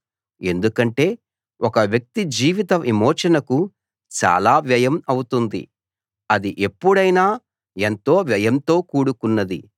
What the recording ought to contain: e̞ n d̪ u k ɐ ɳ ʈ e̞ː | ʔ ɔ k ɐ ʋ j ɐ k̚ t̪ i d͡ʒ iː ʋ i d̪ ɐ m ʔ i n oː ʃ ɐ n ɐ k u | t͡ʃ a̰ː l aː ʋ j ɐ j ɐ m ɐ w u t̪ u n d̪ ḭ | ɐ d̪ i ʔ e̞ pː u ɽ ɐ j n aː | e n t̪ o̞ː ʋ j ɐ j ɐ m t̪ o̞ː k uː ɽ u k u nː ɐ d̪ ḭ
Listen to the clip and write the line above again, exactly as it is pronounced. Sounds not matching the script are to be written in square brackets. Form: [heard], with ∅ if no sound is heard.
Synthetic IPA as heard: e̞ n d̪ u k ɐ ɳ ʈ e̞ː | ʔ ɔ k ɐ ʋ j ɐ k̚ t̪ i d͡ʒ iː ʋ i [t̪] ɐ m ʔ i [m] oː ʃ ɐ n ɐ k u | t͡ʃ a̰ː l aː ʋ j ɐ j ɐ m ɐ w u t̪ u n d̪ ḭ | ɐ d̪ i ʔ e̞ pː u ɽ ɐ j n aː | e n t̪ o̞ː ʋ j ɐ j ɐ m t̪ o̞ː k uː ɽ u k u nː ɐ d̪ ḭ